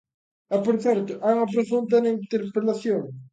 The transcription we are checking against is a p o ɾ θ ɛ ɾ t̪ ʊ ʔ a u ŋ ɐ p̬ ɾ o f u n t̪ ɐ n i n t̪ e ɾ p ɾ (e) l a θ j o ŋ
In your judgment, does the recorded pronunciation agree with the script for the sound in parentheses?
yes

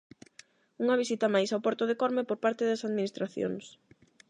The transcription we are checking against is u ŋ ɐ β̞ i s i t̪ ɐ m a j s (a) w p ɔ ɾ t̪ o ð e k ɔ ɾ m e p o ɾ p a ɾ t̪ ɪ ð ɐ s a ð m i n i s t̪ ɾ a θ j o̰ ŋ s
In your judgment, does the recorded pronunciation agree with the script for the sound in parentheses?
yes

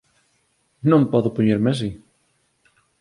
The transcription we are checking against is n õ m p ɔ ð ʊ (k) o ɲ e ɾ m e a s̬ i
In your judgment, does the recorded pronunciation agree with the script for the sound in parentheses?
no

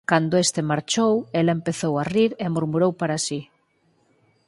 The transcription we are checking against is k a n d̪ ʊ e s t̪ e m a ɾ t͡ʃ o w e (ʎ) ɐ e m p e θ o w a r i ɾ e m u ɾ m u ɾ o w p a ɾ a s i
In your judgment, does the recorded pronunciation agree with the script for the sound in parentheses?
no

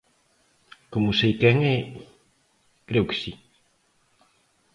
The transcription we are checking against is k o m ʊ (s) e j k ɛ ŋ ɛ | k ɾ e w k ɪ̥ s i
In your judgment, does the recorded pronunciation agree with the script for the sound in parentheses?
yes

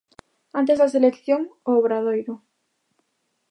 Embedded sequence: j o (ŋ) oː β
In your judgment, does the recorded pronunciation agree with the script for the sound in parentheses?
yes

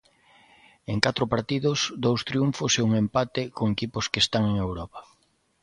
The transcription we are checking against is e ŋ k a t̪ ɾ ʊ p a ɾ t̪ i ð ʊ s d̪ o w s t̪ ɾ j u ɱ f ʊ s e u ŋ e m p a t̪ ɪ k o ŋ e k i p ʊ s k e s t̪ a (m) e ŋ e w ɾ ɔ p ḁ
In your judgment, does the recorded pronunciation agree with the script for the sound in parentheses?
no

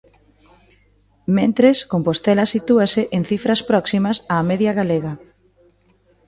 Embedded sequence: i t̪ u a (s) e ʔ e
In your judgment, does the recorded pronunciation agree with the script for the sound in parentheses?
yes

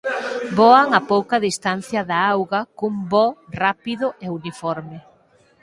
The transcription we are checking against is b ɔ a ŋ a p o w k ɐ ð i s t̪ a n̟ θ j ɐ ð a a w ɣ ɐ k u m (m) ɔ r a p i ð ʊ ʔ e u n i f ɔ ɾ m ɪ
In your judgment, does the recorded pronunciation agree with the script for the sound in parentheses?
no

